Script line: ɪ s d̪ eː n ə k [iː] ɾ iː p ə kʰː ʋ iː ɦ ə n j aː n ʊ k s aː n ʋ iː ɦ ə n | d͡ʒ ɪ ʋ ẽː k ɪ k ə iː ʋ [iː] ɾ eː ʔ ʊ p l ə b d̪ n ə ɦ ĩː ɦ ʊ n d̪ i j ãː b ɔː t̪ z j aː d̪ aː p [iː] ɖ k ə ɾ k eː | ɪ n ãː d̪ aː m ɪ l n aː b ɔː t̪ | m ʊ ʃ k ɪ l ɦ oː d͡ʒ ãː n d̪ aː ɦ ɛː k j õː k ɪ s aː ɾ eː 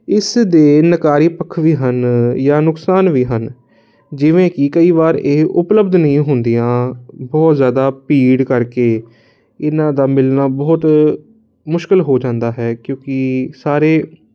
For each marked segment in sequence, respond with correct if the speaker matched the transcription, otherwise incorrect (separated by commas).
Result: incorrect, incorrect, correct